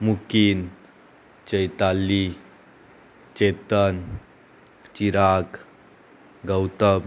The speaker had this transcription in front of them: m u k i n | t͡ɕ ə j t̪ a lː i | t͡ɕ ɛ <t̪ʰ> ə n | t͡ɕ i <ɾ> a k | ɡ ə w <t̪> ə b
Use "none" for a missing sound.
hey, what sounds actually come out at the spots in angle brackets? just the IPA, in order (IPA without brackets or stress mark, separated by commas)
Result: t̪, ɾ, t̪